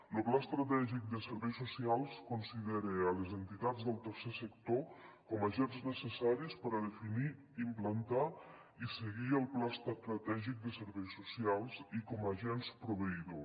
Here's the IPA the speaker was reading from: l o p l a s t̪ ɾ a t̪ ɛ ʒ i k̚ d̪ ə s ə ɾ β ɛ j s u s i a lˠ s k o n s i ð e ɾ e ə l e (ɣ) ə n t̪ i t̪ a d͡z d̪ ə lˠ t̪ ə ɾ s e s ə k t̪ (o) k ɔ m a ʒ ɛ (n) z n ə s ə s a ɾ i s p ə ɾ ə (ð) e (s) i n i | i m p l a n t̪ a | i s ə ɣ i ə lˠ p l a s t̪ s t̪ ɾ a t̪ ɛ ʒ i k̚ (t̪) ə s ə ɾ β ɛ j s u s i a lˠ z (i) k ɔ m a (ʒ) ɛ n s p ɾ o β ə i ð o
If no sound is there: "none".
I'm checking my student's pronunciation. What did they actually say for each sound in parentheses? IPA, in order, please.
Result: z, o, n, ð, f, d̪, i, ʒ

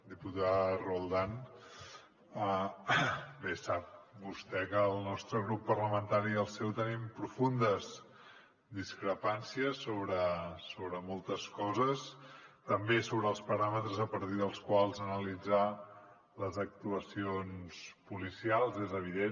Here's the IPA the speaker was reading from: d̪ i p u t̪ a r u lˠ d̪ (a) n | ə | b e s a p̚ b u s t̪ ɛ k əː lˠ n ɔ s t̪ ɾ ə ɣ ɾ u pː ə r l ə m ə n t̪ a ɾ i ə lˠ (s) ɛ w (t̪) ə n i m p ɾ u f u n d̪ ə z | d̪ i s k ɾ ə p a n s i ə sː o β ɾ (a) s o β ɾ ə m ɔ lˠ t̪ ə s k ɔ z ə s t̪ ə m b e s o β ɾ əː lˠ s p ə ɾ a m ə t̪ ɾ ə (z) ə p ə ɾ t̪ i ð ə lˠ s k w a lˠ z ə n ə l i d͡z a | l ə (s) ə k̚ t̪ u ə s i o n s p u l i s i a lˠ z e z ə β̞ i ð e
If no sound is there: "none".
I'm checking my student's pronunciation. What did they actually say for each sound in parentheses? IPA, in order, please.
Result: a, s, t̪, ə, z, z

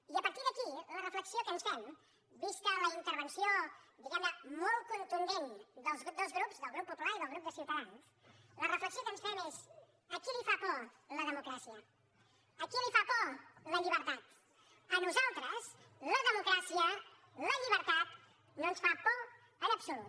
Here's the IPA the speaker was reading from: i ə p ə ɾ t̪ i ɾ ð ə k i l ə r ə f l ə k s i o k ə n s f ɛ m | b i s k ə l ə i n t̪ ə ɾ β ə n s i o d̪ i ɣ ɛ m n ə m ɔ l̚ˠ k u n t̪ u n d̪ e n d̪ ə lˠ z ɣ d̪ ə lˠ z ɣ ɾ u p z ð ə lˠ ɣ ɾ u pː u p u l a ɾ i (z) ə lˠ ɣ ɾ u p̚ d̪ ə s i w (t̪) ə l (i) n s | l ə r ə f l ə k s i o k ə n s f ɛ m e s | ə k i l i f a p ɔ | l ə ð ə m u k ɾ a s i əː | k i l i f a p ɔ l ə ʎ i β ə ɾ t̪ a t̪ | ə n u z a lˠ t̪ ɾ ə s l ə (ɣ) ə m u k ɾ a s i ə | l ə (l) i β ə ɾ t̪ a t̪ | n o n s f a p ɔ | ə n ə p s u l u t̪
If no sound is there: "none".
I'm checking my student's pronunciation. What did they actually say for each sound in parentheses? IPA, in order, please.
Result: ð, t̪, a, ð, ʎ

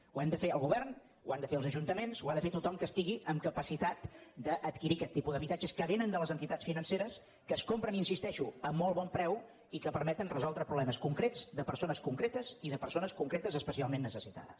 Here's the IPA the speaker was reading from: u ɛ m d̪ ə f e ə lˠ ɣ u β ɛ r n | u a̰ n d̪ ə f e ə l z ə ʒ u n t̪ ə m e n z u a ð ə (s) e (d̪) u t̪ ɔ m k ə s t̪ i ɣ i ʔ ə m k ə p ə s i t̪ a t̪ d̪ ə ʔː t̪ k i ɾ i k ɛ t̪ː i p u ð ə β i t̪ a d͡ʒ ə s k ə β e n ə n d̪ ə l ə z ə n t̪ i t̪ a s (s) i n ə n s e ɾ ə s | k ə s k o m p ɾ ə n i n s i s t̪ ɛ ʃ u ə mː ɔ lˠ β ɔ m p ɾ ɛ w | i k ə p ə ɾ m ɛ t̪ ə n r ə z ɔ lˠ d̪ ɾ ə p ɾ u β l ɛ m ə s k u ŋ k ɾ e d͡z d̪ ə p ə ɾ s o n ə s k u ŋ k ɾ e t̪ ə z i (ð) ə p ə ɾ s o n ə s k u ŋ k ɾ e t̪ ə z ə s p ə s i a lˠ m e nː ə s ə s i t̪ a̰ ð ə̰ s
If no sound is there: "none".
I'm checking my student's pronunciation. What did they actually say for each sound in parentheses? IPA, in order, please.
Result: f, t̪, f, ð

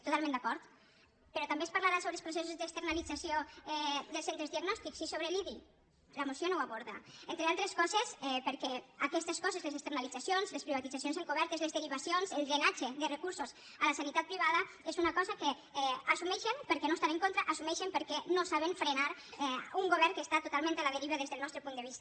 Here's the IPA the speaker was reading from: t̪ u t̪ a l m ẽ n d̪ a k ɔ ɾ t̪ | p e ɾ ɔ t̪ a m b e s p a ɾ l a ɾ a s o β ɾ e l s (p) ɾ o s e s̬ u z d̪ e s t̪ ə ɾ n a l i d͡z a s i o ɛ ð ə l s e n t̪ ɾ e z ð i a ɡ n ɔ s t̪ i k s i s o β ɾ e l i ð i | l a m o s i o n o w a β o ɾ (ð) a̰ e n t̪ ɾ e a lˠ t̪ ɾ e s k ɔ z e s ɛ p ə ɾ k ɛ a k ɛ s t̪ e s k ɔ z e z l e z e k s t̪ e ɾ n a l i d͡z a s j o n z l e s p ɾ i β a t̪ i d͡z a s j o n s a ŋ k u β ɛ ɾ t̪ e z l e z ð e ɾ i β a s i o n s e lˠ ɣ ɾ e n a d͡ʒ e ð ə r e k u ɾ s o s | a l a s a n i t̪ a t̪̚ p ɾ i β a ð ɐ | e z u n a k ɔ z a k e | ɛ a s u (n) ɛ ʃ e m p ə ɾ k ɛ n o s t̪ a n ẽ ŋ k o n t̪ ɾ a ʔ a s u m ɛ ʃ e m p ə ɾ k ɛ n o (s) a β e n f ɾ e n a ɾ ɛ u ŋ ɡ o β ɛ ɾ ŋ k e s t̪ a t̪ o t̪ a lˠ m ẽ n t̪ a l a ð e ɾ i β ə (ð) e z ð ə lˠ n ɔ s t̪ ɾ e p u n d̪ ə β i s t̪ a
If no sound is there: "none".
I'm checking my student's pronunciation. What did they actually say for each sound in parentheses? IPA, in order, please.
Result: p, ð, m, s, ð

